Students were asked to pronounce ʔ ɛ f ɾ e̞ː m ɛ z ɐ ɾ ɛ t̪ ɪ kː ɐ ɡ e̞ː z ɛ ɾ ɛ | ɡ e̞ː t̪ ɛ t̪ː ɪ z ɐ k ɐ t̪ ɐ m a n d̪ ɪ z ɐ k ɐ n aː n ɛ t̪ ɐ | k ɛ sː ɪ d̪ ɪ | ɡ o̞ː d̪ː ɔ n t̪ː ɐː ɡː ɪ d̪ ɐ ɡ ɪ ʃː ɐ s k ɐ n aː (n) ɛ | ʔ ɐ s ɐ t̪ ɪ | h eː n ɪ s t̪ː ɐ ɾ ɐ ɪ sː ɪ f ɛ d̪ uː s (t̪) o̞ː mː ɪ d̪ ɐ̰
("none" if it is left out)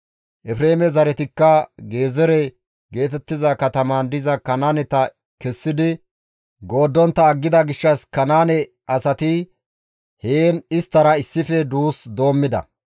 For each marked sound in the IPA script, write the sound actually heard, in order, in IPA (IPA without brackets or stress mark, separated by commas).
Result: n, d̪